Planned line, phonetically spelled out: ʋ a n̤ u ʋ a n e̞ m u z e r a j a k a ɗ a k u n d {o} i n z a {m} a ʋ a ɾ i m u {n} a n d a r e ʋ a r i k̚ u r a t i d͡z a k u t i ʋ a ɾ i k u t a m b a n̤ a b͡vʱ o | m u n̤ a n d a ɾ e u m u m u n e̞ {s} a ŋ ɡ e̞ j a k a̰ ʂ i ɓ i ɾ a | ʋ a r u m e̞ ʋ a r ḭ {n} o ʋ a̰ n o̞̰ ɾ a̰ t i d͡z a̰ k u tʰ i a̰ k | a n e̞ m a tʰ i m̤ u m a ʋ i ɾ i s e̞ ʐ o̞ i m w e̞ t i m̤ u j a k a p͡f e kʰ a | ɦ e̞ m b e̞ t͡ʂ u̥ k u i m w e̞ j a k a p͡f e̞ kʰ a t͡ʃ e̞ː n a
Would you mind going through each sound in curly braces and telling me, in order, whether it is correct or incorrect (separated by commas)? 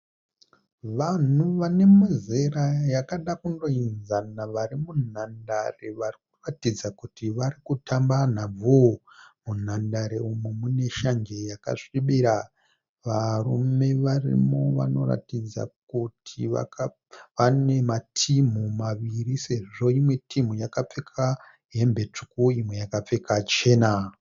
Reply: correct, incorrect, correct, incorrect, incorrect